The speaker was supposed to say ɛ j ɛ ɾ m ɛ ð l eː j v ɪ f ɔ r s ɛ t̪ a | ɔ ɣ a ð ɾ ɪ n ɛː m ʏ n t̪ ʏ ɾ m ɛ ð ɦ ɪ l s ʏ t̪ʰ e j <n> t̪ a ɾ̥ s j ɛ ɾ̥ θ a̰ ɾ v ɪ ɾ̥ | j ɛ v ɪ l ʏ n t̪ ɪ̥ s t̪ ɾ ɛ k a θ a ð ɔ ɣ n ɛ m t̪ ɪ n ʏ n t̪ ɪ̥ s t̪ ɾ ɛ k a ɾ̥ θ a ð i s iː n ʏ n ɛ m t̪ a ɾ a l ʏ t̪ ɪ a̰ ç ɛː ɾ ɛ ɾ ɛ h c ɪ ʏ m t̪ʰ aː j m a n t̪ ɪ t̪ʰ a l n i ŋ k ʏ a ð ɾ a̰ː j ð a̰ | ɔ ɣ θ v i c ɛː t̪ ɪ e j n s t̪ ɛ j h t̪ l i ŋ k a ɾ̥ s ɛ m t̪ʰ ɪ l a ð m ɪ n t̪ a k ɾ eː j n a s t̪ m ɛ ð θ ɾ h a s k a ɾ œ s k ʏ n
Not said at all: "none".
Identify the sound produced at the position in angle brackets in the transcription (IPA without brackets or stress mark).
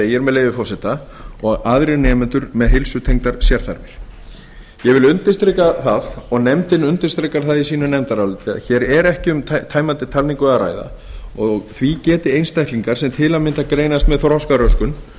ŋ